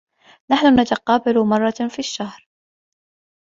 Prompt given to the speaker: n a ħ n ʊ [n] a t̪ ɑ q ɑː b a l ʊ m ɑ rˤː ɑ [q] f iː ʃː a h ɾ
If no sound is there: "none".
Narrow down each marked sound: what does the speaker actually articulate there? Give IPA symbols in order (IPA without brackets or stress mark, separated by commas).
n, none